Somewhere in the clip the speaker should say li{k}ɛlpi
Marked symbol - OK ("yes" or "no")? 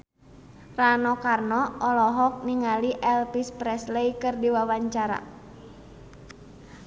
no